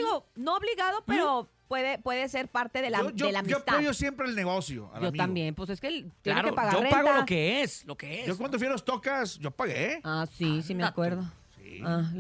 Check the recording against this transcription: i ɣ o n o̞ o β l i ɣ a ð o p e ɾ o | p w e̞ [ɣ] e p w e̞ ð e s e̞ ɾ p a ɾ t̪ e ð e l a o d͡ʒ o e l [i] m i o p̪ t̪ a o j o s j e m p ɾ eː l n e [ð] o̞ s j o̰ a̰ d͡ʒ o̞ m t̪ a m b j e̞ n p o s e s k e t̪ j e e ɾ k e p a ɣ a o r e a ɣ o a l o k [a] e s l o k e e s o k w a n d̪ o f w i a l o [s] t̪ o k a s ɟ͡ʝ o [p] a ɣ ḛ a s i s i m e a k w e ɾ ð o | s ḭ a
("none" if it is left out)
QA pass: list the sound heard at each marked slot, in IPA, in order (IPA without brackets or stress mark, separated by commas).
ð, a, ɣ, e, s, p